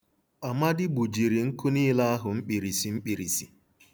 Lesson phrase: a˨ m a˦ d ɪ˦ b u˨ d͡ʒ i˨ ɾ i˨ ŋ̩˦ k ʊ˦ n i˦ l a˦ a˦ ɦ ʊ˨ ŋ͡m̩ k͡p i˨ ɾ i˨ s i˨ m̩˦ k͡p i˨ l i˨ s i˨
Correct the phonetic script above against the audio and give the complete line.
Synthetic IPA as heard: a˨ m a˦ d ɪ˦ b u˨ d͡ʒ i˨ ɾ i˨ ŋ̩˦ k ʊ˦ n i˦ l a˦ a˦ ɦ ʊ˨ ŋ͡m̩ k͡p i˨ ɾ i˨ s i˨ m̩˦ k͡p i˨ ɾ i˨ s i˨